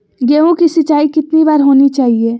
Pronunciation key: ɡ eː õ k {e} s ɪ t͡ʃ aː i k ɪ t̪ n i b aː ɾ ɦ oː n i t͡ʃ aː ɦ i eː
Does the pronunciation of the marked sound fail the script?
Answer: yes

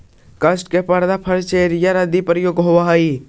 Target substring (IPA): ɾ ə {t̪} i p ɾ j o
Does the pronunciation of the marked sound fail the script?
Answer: yes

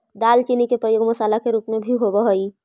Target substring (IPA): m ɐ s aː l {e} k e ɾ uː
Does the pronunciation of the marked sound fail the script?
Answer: yes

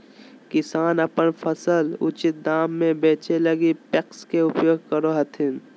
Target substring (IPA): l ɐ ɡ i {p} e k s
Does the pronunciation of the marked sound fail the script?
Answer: no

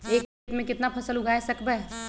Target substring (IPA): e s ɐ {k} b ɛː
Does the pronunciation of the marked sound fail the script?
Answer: no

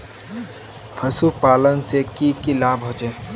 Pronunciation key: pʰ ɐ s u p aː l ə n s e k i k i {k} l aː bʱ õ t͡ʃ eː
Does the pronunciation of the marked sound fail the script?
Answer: yes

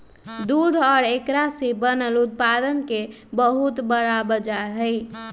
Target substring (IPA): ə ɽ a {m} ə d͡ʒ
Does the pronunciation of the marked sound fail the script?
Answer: yes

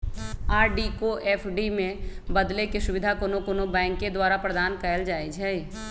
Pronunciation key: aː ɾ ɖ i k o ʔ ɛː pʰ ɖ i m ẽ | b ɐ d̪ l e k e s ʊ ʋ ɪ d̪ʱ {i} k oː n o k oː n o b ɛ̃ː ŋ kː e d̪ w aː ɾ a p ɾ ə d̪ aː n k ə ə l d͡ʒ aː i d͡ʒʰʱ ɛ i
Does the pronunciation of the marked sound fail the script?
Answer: yes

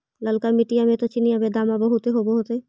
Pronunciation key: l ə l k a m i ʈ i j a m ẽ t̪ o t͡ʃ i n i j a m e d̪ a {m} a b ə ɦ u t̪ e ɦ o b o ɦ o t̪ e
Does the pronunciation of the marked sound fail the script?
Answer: no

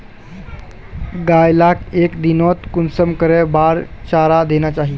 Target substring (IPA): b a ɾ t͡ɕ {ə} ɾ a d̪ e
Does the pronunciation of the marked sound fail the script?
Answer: yes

